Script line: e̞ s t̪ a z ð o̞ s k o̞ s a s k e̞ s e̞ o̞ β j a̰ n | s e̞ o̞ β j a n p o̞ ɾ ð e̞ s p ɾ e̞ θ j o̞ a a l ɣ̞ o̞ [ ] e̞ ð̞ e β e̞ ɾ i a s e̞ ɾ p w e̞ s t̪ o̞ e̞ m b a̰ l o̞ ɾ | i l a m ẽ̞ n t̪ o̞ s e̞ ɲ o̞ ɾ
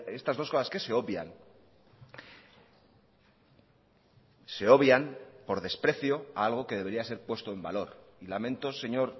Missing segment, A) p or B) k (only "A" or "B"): B